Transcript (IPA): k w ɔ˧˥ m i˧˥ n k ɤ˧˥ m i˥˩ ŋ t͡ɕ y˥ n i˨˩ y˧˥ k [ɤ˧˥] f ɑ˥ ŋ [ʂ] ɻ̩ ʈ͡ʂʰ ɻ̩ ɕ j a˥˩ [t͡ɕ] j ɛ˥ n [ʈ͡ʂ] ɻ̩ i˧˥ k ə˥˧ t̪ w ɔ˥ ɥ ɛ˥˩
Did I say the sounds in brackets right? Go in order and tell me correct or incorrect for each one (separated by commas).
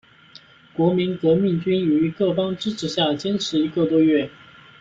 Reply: incorrect, incorrect, correct, incorrect